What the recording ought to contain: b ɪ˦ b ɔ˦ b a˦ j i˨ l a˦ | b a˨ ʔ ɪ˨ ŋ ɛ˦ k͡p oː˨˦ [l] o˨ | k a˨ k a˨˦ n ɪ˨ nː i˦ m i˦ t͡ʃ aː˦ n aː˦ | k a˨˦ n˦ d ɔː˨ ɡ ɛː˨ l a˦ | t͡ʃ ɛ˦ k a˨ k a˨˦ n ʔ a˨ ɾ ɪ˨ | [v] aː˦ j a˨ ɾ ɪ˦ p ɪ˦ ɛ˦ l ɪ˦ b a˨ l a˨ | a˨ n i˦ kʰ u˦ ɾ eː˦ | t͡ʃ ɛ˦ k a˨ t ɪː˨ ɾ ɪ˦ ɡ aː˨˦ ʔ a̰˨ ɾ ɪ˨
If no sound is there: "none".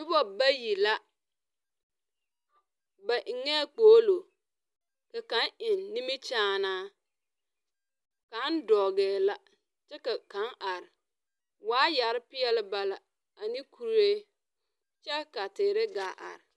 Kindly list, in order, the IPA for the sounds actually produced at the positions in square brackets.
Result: l, w

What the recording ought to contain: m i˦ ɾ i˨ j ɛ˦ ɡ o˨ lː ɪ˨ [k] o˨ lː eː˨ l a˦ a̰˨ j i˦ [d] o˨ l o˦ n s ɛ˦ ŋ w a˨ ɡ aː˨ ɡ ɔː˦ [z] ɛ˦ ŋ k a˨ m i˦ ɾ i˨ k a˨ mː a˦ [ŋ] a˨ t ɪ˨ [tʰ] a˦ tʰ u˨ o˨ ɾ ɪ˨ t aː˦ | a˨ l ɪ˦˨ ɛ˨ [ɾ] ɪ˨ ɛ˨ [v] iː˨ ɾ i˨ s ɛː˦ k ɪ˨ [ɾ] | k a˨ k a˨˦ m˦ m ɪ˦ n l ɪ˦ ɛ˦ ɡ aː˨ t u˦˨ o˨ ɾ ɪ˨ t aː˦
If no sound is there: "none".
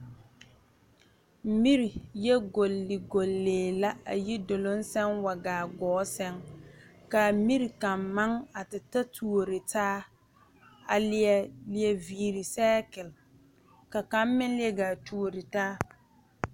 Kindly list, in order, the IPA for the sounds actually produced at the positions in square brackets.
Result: ɡ, d, s, ŋ, t, l, v, l

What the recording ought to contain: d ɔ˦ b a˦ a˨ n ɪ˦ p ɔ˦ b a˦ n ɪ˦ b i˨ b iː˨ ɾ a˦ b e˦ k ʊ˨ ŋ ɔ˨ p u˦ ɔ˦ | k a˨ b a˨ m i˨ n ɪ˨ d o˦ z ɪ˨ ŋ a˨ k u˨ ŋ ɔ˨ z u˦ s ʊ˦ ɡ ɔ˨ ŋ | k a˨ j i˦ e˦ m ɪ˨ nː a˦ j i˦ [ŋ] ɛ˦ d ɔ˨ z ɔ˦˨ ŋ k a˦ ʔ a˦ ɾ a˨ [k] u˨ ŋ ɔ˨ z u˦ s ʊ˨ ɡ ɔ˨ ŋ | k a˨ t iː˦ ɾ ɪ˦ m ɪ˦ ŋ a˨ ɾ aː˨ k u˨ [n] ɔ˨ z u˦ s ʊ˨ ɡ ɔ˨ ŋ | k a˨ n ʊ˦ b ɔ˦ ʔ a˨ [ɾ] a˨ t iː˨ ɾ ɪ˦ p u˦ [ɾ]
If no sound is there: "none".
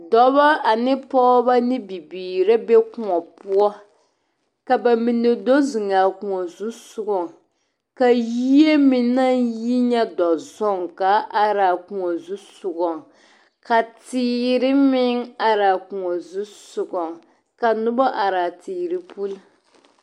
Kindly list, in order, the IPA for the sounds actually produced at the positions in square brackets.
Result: ɲ, k, ŋ, ɾ, l

